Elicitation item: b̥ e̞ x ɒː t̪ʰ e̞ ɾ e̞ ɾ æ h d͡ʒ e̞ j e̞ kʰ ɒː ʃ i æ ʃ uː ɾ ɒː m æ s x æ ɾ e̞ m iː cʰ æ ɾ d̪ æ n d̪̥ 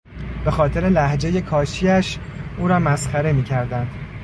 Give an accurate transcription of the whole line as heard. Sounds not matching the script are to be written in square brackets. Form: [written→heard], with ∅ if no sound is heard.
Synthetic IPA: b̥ e̞ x ɒː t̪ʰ e̞ ɾ e̞ [ɾ→l] æ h d͡ʒ e̞ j e̞ kʰ ɒː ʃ i æ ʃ uː ɾ ɒː m æ s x æ ɾ e̞ m iː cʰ æ ɾ d̪ æ n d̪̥

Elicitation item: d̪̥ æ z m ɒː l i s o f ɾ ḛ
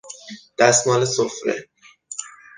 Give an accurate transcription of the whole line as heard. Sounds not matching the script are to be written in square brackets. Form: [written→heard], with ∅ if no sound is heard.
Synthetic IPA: d̪̥ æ [z→s] m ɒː l [i→e] s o f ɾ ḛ

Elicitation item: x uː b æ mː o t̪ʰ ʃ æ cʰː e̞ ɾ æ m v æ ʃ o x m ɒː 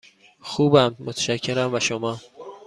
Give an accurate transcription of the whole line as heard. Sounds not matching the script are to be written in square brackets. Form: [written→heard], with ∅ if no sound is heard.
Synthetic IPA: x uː b æ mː o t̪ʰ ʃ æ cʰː e̞ ɾ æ m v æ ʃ o [x→∅] m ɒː

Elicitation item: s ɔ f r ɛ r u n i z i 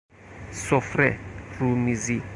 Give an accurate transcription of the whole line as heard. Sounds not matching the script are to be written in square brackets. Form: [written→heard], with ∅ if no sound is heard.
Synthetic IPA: s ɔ f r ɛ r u [n→m] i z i

